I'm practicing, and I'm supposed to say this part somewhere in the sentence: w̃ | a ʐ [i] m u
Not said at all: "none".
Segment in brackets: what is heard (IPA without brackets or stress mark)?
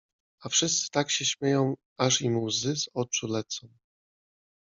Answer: i